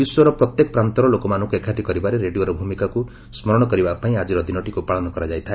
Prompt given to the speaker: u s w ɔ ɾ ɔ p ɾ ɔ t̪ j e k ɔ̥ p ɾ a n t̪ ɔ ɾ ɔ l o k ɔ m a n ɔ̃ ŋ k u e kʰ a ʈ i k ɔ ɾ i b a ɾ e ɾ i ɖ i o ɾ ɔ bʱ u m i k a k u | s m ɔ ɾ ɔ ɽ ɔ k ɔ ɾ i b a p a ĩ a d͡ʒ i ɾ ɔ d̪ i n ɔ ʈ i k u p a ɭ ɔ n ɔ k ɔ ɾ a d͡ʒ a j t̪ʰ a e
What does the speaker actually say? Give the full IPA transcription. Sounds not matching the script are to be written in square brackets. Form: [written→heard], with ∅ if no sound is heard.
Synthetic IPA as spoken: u s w ɔ ɾ ɔ p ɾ ɔ t̪ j e k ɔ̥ p ɾ a n t̪ ɔ ɾ ɔ l o k ɔ m a n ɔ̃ ŋ k u e kʰ a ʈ i k ɔ ɾ i b a ɾ e ɾ [i→e] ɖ i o ɾ ɔ bʱ u m i k a k u | s m ɔ ɾ ɔ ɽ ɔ k ɔ ɾ i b a p a ĩ a d͡ʒ i ɾ ɔ d̪ i n ɔ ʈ i k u p a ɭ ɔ n ɔ k ɔ ɾ a d͡ʒ a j t̪ʰ a e